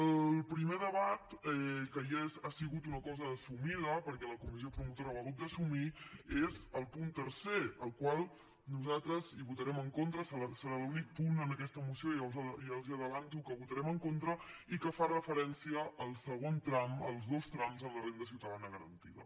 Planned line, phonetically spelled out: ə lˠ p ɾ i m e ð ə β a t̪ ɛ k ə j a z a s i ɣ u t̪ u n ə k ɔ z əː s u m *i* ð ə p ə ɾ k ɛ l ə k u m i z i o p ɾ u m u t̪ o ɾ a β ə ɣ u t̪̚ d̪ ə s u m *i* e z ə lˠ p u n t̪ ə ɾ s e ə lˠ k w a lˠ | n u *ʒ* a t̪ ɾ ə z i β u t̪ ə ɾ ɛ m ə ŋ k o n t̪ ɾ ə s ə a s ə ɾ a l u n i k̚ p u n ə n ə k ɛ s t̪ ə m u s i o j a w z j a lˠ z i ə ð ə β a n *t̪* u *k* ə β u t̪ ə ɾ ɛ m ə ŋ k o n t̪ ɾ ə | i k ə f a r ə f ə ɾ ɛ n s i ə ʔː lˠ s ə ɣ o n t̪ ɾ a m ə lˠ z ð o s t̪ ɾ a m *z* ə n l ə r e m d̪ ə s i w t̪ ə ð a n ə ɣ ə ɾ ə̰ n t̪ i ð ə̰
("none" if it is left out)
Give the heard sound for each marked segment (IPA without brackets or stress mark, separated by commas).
i, i, z, t̪, k, z